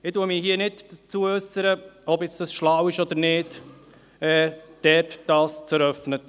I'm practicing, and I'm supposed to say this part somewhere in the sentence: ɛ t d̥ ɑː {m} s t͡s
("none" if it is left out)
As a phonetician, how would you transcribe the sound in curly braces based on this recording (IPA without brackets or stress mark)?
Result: none